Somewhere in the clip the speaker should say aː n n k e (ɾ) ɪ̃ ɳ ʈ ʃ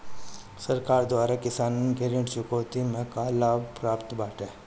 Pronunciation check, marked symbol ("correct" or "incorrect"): correct